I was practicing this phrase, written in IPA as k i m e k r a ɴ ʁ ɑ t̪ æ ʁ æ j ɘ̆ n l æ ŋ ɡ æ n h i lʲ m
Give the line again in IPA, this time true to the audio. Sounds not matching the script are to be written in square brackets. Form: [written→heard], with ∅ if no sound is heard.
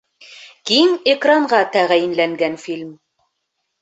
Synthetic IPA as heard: k i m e k r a ɴ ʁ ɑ t̪ æ ʁ æ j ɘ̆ n l æ ŋ ɡ æ n [h→f] i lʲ m